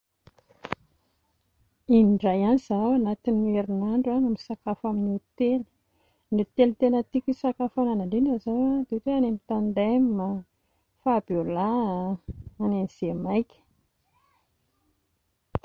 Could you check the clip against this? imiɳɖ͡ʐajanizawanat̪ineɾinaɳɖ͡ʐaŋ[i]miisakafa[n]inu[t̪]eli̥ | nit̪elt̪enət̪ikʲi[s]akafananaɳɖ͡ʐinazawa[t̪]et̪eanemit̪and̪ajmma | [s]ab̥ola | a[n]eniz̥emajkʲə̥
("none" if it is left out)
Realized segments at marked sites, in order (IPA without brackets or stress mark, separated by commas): a, m, t̪, s, d̪, f, n